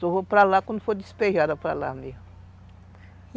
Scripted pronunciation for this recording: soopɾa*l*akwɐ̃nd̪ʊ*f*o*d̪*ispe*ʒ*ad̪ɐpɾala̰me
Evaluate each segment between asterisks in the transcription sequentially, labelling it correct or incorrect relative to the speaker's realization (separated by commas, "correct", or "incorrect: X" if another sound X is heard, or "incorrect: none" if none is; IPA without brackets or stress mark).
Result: correct, correct, correct, correct